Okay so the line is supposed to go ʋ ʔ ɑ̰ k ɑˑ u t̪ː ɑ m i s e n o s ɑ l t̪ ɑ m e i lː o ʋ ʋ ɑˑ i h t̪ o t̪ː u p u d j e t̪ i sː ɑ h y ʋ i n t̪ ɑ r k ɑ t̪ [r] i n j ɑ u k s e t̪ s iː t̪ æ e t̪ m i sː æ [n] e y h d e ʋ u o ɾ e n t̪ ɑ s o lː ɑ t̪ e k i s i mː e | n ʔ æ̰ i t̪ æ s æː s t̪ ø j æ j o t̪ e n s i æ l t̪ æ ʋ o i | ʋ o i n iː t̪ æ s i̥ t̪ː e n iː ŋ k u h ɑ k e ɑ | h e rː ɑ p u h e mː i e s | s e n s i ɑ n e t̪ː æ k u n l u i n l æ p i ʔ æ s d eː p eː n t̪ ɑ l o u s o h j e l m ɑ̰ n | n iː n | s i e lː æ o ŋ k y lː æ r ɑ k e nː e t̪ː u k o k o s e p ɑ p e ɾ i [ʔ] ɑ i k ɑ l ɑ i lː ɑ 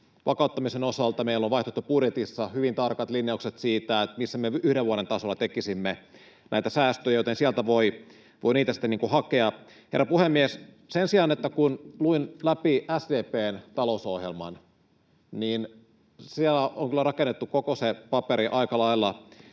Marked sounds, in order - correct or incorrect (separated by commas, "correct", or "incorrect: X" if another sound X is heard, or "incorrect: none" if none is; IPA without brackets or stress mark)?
incorrect: l, incorrect: m, correct